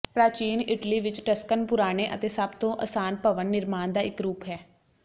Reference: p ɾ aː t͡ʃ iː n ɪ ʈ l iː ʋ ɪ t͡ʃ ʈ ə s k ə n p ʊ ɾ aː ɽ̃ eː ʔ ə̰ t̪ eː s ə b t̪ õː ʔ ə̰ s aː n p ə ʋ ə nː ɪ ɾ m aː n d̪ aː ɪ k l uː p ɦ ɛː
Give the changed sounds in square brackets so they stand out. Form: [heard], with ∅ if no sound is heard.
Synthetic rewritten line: p ɾ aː t͡ʃ iː n ɪ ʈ l iː ʋ ɪ t͡ʃ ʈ ə s k ə n p ʊ ɾ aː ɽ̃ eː ʔ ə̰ t̪ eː s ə b t̪ õː ʔ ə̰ s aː n p ə ʋ ə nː ɪ ɾ m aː n d̪ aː ɪ k [ɾ] uː p ɦ ɛː